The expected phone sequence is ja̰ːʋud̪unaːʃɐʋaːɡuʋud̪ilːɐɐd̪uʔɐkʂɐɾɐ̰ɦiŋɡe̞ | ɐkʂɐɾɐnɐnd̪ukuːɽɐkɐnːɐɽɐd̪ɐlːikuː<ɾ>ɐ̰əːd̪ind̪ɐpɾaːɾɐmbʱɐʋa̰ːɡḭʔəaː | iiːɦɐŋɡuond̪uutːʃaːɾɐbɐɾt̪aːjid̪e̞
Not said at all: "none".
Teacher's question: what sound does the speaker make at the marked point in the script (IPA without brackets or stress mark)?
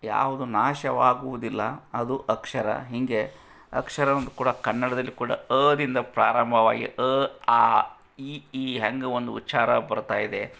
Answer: ɽ